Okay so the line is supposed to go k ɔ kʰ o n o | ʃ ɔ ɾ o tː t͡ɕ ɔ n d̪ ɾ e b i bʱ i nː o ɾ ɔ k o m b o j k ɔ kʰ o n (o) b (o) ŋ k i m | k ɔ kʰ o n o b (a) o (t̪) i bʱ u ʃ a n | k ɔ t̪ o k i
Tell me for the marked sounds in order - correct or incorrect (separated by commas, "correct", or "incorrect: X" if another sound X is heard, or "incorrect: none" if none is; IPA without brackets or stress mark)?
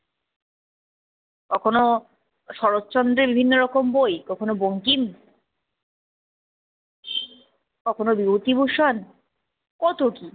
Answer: correct, correct, incorrect: i, correct